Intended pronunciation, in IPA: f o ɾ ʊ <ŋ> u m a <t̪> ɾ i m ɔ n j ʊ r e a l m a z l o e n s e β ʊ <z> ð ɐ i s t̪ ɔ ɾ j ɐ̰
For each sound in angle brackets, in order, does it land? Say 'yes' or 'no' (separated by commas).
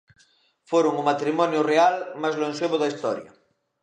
yes, yes, no